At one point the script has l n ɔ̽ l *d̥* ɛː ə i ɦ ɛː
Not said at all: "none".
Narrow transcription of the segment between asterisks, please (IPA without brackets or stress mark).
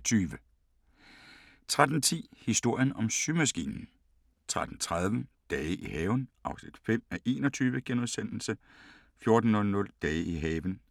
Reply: d̥